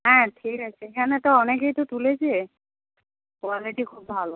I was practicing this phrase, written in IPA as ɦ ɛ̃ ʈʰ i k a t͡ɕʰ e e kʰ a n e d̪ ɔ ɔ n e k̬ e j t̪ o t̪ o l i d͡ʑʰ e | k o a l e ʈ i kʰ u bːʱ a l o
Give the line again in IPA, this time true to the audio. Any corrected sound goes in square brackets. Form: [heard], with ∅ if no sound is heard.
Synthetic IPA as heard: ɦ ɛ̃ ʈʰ i k a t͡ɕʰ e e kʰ a n e [t̪] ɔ ɔ n e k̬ e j t̪ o t̪ [u] l [e] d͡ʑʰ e | k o a l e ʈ i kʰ u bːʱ a l o